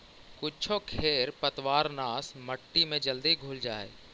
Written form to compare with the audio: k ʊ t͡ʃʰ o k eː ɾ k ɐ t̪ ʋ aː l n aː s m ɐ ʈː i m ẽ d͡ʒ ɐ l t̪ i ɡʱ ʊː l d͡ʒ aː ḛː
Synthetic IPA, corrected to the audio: k ʊ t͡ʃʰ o kʰ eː ɾ p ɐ t̪ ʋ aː ɾ n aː s m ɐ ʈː i m ẽ d͡ʒ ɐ l d̪ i ɡʱ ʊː l d͡ʒ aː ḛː